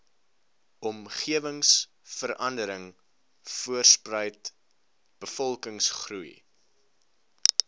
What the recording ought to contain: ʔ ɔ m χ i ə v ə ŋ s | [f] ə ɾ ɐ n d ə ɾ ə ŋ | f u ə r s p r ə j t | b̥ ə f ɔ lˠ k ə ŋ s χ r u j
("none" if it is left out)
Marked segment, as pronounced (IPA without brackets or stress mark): f